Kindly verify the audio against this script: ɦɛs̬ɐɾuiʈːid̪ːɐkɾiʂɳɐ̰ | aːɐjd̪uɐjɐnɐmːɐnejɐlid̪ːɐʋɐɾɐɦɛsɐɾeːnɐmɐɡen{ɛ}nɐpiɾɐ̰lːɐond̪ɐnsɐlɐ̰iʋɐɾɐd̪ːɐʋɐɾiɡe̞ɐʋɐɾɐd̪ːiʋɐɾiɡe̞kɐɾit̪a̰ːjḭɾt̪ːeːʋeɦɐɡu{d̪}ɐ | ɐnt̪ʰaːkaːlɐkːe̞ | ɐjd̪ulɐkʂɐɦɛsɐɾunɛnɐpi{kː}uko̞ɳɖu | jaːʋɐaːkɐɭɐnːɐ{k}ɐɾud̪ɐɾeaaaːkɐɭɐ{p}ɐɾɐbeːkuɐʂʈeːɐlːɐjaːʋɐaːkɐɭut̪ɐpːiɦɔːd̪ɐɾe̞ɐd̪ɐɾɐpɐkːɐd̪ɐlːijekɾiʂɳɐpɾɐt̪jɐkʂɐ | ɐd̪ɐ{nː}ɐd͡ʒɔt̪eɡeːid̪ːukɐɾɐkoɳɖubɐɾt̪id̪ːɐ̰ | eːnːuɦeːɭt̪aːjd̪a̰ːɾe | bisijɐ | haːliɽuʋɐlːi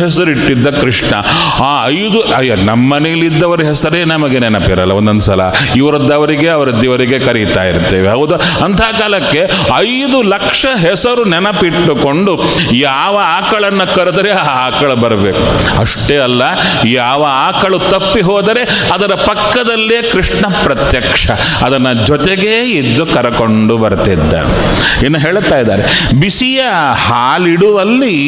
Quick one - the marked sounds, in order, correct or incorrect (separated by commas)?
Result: correct, correct, incorrect, correct, incorrect, correct